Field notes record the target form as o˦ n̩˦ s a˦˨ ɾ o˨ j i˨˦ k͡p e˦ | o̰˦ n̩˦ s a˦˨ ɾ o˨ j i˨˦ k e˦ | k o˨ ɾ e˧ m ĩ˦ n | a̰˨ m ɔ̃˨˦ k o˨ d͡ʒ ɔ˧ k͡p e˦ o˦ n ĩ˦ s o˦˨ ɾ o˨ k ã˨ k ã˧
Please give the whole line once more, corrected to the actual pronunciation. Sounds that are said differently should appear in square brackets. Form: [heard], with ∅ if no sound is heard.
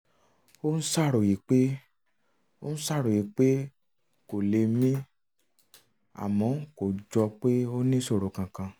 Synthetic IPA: o˦ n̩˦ s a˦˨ ɾ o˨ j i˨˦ k͡p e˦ | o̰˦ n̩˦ s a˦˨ ɾ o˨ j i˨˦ [k͡p] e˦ | k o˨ [l] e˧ m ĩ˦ [∅] | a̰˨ m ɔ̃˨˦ k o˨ d͡ʒ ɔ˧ k͡p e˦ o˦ n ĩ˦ s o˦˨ ɾ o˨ k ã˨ k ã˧